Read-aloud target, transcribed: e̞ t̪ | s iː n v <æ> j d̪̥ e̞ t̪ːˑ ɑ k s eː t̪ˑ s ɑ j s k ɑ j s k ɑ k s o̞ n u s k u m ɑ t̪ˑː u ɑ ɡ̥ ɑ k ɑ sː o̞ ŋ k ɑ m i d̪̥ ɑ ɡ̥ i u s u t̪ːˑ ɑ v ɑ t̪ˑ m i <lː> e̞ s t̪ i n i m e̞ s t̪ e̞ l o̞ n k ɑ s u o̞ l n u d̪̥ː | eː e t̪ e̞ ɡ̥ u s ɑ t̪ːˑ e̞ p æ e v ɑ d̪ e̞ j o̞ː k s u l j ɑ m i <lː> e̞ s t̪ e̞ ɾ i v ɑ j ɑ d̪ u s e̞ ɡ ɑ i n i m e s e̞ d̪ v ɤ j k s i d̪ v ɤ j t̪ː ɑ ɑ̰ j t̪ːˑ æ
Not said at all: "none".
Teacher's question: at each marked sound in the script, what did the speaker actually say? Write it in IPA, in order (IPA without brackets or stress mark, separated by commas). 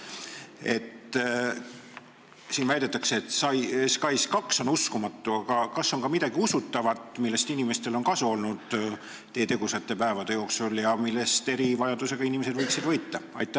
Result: æ, lː, lː